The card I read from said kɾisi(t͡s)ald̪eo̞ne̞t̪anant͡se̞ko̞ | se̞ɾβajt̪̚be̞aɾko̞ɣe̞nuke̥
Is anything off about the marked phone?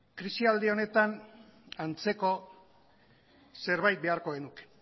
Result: yes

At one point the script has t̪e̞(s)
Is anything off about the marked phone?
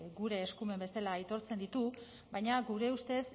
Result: no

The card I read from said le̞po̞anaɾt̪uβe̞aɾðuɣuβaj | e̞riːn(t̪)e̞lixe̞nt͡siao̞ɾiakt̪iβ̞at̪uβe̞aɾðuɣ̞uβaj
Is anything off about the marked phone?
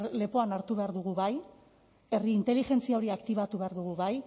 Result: no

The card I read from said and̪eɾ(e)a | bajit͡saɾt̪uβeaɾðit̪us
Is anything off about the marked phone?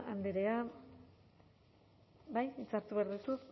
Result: no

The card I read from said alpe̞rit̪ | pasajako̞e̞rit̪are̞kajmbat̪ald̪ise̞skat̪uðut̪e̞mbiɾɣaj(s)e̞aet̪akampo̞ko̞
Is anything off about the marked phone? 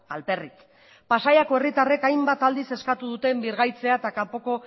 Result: yes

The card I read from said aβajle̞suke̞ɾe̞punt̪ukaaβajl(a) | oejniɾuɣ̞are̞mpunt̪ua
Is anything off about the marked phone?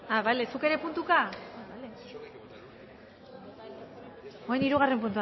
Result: yes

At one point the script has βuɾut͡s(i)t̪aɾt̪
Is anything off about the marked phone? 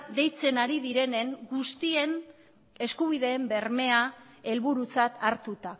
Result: yes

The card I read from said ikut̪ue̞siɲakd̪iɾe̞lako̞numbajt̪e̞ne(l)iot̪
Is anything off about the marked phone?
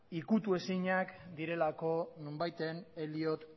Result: no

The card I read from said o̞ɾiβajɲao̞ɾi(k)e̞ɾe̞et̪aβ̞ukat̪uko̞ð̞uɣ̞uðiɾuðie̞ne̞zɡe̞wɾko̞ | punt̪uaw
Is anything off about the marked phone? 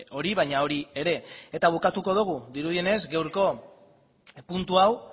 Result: yes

